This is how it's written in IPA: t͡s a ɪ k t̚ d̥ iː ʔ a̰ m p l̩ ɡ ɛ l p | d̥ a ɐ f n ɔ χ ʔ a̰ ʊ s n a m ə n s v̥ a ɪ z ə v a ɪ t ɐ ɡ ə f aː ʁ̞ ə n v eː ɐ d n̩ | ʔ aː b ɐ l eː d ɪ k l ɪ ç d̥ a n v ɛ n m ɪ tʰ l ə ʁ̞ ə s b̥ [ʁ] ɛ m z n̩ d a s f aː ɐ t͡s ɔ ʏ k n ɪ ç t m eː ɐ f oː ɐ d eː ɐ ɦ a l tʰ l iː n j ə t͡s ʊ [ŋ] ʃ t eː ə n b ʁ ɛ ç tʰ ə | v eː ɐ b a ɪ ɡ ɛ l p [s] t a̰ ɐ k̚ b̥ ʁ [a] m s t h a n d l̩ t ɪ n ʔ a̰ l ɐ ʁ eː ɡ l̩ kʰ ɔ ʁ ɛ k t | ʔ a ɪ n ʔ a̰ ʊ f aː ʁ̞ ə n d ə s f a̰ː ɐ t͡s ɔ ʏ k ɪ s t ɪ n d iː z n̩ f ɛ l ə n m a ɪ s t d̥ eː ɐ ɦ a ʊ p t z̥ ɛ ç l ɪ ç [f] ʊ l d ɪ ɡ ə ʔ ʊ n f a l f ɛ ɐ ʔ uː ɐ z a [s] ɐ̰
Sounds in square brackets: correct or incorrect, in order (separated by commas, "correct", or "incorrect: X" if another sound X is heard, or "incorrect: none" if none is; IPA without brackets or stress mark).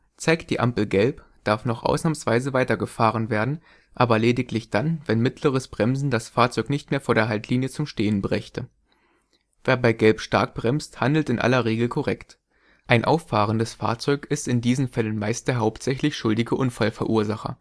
correct, incorrect: m, incorrect: ʃ, incorrect: ɛ, incorrect: ʃ, incorrect: χ